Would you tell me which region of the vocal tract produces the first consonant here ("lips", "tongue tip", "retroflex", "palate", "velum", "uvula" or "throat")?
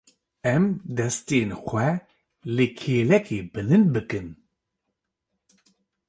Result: lips